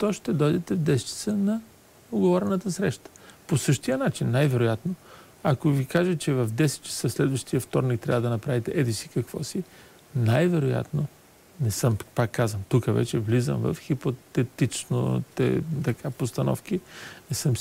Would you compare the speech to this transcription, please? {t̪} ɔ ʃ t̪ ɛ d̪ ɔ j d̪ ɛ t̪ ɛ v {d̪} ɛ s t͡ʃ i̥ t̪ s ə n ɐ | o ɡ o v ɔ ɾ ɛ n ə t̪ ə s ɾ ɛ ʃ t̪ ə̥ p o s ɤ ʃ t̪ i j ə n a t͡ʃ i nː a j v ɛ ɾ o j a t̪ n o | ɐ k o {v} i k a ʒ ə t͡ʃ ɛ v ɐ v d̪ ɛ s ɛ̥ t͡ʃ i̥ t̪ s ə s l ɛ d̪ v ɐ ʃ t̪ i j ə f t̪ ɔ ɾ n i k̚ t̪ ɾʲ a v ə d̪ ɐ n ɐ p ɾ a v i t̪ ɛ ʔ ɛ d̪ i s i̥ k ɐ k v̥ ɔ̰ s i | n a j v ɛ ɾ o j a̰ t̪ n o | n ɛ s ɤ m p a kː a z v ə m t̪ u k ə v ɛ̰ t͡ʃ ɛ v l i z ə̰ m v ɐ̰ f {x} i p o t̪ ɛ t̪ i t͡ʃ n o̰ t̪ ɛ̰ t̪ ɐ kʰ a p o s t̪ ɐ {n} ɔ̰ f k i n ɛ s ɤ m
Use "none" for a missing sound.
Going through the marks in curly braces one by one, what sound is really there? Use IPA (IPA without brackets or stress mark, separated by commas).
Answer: t̪, d̪, v, x, n